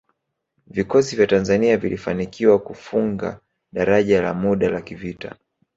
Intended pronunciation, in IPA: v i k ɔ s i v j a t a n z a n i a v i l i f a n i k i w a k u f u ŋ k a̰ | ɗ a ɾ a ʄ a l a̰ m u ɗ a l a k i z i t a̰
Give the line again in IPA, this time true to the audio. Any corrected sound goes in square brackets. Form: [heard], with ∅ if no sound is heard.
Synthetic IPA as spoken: v i k ɔ s i v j a t a n z a n i a v i l i f a n i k i w a k u f u ŋ [ɡ] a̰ | ɗ a ɾ a ʄ a l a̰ m u ɗ a l a k i [v] i t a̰